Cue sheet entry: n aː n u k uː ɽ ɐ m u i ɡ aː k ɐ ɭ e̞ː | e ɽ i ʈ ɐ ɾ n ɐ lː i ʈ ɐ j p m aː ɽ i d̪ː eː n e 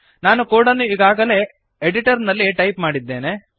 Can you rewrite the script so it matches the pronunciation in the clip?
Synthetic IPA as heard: n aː n u k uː ɽ ɐ n u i ɡ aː ɡ ɐ l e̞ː | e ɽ i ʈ ɐ ɾ n ɐ lː i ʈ ɐ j p m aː ɽ i d̪ː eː n e